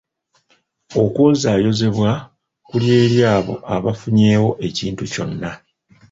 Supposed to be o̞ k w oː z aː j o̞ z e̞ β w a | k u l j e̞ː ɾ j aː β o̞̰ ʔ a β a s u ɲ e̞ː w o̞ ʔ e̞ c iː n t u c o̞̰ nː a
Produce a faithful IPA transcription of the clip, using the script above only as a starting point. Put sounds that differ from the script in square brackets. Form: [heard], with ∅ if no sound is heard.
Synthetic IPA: o̞ k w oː z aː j o̞ z e̞ β w a | k u l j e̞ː ɾ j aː β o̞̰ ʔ a β a [f] u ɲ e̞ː w o̞ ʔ e̞ c iː n t u c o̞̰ nː a